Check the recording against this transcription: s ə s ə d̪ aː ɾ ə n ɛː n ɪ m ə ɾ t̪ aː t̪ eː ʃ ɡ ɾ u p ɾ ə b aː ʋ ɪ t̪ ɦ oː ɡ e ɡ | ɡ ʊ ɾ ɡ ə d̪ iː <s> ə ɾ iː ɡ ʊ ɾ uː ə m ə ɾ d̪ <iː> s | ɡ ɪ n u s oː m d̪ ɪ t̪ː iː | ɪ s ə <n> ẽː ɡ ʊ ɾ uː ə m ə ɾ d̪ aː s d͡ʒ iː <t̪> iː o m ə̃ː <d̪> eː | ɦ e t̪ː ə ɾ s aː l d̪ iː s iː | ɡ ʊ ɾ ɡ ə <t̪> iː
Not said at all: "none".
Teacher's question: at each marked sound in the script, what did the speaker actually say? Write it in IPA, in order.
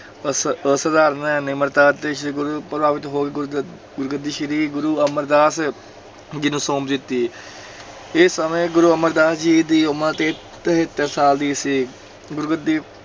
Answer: ʃ, aː, m, d̪, t̪, d̪

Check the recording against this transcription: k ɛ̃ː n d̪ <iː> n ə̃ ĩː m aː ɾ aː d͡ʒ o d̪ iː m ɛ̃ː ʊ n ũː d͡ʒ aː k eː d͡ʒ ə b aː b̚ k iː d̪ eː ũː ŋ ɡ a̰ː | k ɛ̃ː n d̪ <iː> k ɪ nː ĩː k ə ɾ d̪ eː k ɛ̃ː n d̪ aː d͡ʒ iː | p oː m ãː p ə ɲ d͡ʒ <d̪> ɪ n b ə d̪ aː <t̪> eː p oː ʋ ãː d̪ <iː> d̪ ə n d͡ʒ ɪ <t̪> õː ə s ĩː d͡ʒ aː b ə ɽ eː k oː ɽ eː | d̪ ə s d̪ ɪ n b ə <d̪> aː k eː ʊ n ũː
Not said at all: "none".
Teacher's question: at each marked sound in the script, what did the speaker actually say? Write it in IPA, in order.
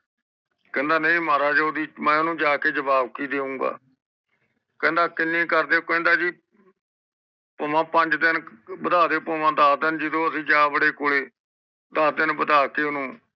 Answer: aː, aː, d̪, d̪, aː, d̪, d̪

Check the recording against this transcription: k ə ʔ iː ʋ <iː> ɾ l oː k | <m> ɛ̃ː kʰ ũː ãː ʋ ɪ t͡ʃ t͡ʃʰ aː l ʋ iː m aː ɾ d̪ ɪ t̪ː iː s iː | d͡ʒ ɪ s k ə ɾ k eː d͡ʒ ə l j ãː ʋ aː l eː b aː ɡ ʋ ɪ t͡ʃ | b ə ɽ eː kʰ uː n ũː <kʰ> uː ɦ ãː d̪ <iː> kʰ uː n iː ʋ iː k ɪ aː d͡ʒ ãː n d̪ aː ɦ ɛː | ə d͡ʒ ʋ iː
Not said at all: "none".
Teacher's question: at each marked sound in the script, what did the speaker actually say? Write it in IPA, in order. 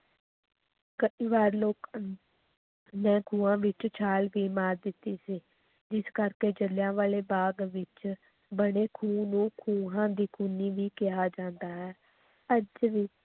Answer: aː, n, kʰ, iː

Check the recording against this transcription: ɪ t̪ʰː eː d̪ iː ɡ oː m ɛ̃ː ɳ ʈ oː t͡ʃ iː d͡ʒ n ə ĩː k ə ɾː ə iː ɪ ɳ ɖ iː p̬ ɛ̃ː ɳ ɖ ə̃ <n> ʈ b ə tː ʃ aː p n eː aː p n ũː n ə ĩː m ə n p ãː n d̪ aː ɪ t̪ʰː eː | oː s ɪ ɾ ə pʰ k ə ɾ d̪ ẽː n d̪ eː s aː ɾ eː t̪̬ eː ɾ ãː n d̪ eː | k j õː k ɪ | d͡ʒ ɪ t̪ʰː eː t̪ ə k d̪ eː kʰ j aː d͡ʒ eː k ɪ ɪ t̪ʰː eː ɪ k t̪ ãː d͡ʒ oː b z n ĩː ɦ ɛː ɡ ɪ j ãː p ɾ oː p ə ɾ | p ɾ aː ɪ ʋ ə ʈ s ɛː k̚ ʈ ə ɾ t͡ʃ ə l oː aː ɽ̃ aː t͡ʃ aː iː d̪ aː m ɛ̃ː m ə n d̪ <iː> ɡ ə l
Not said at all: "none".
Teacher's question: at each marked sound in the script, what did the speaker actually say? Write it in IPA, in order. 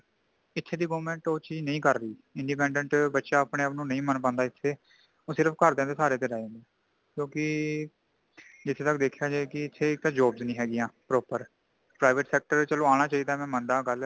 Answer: ɳ, aː

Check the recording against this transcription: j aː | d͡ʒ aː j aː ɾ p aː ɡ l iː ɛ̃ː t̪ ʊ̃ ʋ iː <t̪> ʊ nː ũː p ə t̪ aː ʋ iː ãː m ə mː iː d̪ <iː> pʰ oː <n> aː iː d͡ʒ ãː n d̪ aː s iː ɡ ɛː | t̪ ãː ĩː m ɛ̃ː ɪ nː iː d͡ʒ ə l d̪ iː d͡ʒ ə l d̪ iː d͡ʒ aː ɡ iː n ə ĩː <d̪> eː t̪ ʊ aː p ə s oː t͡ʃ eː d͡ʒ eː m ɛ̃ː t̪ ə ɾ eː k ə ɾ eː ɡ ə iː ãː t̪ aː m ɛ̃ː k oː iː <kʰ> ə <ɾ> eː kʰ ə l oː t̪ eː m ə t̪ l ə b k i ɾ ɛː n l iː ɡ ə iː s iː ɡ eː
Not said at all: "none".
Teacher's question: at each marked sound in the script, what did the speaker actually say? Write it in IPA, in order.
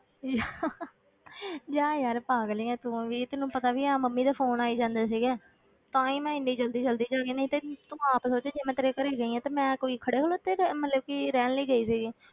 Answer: t̪, aː, n, t̪, kʰ, ɽ

